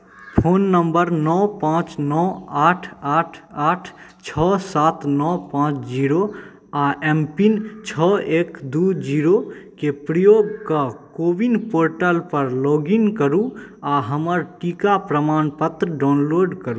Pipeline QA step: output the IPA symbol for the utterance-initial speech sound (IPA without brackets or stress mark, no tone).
pʰ